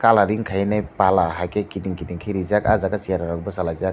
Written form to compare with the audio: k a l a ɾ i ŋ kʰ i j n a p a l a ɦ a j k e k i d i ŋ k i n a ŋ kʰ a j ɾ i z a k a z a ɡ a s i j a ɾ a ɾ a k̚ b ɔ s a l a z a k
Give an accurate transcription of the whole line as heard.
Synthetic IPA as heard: k a l a ɾ i ŋ kʰ a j n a p a l a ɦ a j k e k i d i ŋ k i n i ŋ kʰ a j ɾ i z a k a z a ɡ a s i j a ɾ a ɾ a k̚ b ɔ s a l a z a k